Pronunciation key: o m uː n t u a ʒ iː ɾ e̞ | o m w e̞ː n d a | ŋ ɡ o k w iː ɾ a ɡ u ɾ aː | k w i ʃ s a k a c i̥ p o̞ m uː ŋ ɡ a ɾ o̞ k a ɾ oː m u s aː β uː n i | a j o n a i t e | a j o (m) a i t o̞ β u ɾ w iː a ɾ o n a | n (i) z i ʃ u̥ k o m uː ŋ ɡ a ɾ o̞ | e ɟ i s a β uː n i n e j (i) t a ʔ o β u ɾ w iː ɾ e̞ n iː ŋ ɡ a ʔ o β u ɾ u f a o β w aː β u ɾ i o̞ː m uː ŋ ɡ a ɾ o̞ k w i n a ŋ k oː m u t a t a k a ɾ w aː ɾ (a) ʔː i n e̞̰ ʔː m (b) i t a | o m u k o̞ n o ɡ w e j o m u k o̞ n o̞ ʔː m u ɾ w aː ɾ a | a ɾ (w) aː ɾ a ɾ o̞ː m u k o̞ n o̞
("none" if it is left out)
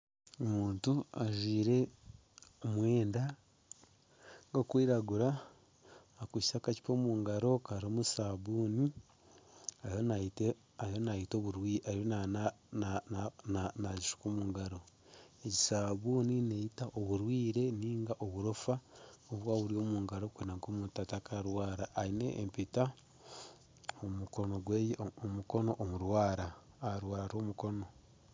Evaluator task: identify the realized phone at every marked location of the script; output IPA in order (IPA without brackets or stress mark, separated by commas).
n, a, i, a, p, w